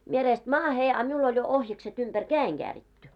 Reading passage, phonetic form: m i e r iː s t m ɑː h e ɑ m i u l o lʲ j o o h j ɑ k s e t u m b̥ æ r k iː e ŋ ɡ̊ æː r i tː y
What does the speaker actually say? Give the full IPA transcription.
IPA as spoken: m i e r eː s t m ɑː h e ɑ m i u l o lʲ j o o h j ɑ k s e t u m b̥ æ r k æː e ŋ ɡ̊ æː r i tː y